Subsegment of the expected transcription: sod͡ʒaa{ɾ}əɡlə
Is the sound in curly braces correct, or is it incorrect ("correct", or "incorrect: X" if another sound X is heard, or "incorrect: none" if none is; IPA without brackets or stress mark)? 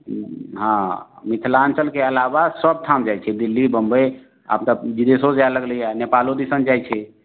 incorrect: l